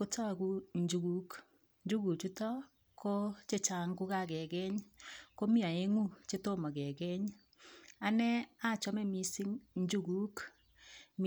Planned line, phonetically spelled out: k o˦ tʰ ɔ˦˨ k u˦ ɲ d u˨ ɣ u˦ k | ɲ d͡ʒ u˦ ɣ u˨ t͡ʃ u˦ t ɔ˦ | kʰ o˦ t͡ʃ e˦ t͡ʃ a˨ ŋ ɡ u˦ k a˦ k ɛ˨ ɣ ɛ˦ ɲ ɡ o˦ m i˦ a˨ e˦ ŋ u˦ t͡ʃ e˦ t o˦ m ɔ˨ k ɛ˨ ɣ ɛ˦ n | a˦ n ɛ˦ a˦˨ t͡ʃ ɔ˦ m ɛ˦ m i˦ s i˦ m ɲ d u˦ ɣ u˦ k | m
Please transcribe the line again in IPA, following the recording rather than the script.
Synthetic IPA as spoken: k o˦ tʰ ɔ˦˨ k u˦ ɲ d͡ʒ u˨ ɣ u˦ k | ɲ d͡ʒ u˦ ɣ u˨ t͡ʃ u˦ t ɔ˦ | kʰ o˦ t͡ʃ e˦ t͡ʃ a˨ ŋ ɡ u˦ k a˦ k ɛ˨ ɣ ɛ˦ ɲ k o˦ m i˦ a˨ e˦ ŋ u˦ t͡ʃ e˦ t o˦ m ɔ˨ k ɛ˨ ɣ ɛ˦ ɲ | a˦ n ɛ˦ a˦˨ t͡ʃ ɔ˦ m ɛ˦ m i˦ s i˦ ŋ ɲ d͡ʒ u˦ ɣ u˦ k | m